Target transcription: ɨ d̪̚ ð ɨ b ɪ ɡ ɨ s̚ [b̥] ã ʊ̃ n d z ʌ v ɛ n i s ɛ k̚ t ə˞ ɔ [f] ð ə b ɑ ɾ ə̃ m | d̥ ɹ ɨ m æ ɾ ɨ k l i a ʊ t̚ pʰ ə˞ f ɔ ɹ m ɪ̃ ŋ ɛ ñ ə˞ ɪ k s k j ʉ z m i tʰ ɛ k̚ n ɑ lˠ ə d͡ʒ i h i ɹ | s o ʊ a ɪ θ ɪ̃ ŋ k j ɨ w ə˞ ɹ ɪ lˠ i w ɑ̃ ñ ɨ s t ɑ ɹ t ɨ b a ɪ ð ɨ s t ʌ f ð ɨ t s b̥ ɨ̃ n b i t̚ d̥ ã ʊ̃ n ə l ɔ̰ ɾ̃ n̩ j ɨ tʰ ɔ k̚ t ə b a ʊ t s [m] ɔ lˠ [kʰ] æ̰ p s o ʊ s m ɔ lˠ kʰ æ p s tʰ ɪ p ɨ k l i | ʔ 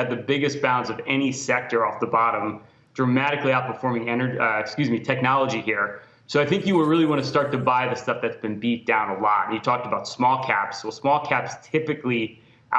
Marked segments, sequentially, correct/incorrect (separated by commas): correct, correct, correct, correct